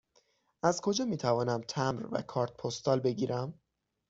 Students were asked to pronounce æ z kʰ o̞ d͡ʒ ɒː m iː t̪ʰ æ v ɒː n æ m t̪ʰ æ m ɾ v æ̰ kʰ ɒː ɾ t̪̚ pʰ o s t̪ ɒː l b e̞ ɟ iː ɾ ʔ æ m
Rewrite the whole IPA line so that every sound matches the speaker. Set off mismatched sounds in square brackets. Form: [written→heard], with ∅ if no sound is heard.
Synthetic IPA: æ z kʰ o̞ d͡ʒ ɒː m iː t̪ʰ æ v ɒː n æ m t̪ʰ æ m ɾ v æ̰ kʰ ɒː ɾ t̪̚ pʰ o s t̪ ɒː l b e̞ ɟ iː ɾ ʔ æ m